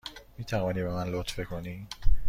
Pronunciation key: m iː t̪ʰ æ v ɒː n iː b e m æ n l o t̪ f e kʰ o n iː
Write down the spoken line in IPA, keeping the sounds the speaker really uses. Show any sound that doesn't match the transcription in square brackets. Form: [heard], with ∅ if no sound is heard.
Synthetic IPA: m iː t̪ʰ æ v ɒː n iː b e m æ n l o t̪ f e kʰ o n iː